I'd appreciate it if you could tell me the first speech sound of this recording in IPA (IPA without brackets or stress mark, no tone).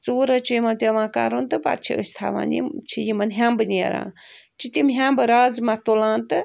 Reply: t͡s